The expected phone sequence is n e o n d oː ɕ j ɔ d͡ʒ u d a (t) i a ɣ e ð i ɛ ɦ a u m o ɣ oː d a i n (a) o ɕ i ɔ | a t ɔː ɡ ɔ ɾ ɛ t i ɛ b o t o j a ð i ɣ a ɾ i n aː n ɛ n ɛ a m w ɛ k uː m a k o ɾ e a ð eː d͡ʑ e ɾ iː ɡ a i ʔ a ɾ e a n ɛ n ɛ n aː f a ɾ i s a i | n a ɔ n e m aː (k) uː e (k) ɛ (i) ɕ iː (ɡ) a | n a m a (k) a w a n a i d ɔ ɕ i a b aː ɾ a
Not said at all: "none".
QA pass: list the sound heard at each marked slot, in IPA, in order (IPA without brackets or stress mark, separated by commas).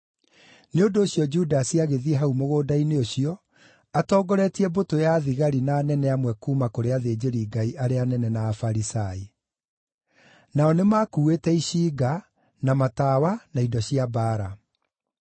s, e, k, t, i, ɡ, t